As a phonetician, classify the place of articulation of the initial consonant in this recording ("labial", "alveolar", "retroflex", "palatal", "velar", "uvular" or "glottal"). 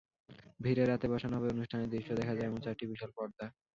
labial